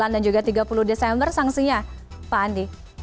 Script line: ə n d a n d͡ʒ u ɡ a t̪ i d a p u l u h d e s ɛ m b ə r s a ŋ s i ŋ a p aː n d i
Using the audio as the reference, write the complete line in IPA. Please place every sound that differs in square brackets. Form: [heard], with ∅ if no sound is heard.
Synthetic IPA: [a] n d a n d͡ʒ u ɡ a t̪ i [ɡ] a p u l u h d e s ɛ m b ə r s a ŋ s i [ɲ] a p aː n d i